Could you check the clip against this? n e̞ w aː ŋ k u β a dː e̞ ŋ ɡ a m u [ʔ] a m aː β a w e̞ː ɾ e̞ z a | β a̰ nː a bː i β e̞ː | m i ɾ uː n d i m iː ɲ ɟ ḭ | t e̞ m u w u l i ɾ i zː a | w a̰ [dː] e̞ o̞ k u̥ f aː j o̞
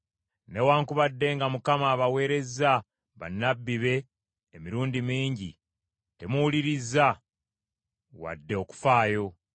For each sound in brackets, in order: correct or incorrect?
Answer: incorrect, correct

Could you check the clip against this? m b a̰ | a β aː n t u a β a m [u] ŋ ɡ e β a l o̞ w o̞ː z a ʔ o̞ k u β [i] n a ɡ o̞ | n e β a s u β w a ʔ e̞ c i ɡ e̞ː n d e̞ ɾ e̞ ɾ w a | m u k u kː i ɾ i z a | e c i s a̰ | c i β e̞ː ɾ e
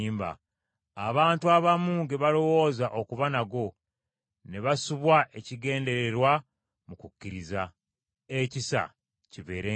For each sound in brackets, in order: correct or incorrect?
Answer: incorrect, incorrect

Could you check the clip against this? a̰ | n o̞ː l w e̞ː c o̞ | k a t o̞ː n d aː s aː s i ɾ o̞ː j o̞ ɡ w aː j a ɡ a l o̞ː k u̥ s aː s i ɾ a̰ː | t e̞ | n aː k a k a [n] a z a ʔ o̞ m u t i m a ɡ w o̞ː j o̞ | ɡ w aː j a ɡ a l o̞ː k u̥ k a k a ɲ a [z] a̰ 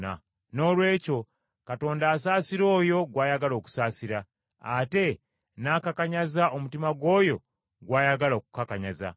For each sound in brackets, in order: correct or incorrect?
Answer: incorrect, correct

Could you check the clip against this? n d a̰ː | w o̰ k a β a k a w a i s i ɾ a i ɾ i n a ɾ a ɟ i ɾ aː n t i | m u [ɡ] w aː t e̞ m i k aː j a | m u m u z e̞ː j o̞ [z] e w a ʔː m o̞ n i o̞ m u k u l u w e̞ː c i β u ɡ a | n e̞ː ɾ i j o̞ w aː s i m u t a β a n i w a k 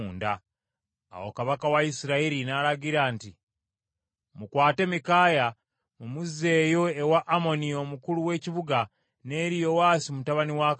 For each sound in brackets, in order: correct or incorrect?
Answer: incorrect, incorrect

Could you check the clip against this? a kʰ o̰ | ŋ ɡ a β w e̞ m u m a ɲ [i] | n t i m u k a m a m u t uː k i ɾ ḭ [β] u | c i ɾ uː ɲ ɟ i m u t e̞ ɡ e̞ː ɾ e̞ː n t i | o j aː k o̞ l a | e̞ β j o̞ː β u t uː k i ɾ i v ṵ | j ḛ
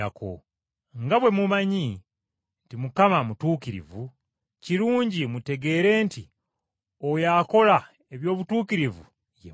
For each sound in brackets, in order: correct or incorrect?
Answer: correct, incorrect

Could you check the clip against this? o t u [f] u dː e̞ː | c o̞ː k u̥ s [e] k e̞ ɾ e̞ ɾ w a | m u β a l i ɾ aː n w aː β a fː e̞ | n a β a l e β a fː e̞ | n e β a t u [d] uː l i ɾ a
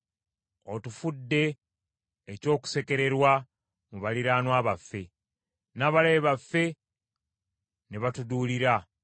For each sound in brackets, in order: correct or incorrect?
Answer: correct, correct, correct

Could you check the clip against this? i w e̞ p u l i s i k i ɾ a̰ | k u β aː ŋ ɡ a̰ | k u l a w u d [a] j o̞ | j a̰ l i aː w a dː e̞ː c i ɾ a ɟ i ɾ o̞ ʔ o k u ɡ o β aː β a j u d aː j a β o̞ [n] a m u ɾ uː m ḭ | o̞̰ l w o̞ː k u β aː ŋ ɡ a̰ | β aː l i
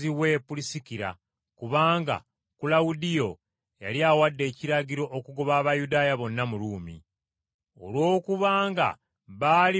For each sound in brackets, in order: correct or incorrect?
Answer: incorrect, incorrect

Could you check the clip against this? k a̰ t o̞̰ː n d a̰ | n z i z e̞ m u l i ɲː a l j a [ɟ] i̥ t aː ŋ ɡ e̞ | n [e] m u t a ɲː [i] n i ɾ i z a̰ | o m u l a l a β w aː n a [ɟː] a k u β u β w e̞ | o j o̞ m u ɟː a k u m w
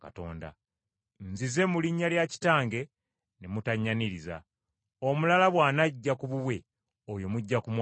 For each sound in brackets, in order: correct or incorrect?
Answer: incorrect, correct, incorrect, correct

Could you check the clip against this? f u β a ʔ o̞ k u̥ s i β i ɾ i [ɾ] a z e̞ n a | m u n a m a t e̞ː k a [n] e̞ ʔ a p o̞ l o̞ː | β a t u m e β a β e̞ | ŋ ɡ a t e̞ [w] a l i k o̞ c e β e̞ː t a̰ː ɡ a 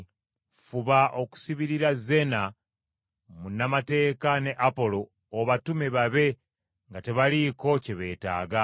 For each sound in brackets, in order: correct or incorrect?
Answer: correct, correct, incorrect

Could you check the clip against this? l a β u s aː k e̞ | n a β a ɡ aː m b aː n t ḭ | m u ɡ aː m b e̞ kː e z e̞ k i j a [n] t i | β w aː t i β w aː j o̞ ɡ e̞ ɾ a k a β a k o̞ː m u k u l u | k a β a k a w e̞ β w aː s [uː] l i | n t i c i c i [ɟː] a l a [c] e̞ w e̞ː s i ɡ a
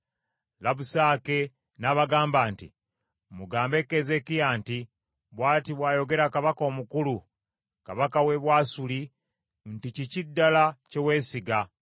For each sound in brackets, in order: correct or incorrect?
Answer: correct, incorrect, incorrect, correct

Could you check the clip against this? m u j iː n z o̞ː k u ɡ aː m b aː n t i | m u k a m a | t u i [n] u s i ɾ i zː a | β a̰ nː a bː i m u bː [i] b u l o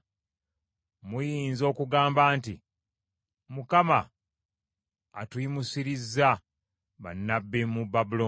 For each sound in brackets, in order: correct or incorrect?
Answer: incorrect, incorrect

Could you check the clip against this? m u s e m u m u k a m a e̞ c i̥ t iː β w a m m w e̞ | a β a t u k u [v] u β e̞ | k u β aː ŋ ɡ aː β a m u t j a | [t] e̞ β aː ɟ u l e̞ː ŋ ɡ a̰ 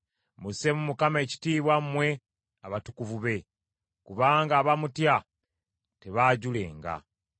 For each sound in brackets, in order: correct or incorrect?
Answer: correct, correct

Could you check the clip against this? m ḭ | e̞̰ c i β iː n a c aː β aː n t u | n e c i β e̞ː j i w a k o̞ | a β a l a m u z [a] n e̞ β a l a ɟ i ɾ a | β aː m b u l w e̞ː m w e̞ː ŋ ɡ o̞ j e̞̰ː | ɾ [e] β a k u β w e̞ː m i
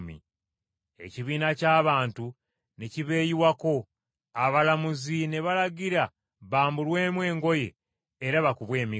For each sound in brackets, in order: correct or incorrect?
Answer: incorrect, incorrect

